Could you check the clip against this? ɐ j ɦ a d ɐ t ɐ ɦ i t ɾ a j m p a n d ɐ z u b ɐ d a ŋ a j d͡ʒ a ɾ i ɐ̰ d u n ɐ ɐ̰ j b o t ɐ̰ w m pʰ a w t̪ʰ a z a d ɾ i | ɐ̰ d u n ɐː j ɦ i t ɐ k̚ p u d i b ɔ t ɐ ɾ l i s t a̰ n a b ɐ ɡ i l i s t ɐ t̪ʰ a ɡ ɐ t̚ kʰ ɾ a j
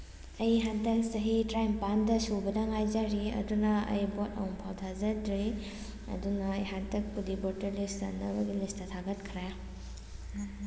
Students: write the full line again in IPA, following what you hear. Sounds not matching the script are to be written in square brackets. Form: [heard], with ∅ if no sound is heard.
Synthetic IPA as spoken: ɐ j ɦ a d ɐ [s] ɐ ɦ i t ɾ a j m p a n d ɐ [s] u b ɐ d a ŋ a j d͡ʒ a ɾ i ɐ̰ d u n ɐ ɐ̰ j b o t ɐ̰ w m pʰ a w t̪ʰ a z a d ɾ i | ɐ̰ d u n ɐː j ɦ [a] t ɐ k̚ p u d i b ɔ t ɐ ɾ l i s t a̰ n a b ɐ ɡ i l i s t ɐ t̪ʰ a ɡ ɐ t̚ kʰ ɾ a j